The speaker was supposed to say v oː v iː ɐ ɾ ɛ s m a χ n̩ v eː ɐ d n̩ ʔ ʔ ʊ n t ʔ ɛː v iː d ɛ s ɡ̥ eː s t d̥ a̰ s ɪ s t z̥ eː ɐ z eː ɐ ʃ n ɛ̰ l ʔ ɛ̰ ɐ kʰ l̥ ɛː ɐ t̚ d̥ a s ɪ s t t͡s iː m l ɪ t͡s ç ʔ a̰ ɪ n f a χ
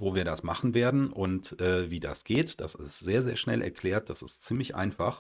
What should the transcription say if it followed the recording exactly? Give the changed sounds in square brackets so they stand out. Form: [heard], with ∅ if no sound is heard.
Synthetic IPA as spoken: v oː v iː ɐ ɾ [a] s m a χ n̩ v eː ɐ d n̩ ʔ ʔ ʊ n t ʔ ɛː v iː d [a] s ɡ̥ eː [∅] t d̥ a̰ s ɪ s t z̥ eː ɐ z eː ɐ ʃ n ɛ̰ l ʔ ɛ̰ ɐ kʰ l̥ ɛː ɐ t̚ d̥ a s ɪ s t t͡s iː m l ɪ [∅] ç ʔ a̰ ɪ n f a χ

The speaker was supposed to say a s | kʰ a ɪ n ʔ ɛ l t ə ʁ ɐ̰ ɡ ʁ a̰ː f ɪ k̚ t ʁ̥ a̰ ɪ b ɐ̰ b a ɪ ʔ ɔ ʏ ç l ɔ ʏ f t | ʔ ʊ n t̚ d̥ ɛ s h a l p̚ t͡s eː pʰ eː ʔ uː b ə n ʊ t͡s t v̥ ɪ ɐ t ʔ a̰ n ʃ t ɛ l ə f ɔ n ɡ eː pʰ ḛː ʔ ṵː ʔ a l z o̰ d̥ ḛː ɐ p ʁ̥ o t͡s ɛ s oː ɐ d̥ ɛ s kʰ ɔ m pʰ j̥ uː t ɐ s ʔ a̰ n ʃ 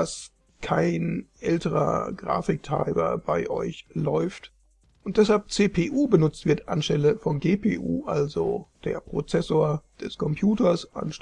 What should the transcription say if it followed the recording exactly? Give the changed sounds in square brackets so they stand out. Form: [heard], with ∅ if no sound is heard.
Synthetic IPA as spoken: a s | kʰ a ɪ n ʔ ɛ l t ə ʁ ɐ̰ ɡ ʁ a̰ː f ɪ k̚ t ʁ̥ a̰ ɪ b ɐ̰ b a ɪ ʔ ɔ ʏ ç l ɔ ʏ f t | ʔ ʊ n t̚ d̥ ɛ s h a l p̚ t͡s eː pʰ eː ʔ uː b ə n ʊ t͡s t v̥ ɪ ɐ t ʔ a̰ n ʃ t ɛ l ə f ɔ n ɡ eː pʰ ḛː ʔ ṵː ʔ a l z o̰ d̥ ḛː ɐ p ʁ̥ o t͡s ɛ s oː ɐ d̥ ɛ s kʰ ɔ m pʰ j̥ uː t ɐ s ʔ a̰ n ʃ

